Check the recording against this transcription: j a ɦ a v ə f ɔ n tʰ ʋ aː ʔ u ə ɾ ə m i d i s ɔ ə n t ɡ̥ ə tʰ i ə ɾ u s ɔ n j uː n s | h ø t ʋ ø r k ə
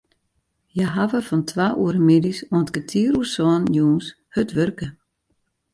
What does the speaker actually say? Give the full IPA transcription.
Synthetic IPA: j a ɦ a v ə f ɔ n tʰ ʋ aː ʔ u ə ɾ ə m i d i s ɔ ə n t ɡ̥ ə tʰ i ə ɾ u s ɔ n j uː n s | h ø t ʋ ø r k ə